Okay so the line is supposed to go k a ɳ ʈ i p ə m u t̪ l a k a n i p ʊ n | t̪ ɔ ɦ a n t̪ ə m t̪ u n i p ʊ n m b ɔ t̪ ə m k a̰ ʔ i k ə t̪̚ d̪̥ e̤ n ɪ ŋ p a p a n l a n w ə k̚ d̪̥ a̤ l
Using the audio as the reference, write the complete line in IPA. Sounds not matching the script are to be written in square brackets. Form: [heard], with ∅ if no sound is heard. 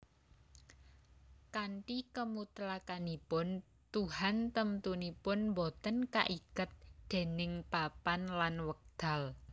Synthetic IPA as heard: k a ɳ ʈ i [k] ə m u t̪ l a k a n i p ʊ n | t̪ [u] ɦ a n t̪ ə m t̪ u n i p ʊ n m b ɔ t̪ ə [n] k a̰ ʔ i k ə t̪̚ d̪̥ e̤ n ɪ ŋ p a p a n l a n w ə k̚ d̪̥ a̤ l